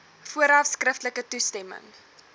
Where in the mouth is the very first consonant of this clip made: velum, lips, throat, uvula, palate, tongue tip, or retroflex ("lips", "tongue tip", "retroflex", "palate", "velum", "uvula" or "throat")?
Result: lips